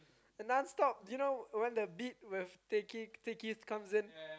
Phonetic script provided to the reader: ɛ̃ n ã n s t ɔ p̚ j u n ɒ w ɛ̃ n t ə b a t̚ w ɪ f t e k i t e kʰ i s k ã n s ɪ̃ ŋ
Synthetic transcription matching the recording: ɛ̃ n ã n s t ɔ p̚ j u n o w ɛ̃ n d ə b i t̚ w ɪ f t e k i t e k i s k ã m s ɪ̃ n